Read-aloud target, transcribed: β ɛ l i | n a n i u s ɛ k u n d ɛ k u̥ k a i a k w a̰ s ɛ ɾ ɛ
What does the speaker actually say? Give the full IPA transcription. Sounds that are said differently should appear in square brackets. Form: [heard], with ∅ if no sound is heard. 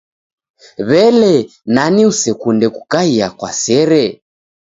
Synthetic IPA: β ɛ l [ɛ] | n a n i u s ɛ k u n d ɛ k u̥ k a i a k w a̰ s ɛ ɾ ɛ